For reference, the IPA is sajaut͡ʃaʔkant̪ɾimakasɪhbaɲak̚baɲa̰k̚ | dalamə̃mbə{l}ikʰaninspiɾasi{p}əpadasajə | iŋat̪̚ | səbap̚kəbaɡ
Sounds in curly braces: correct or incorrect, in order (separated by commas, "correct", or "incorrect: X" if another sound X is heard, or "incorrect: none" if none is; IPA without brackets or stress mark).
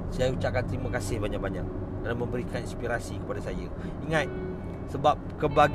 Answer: incorrect: ɾ, incorrect: k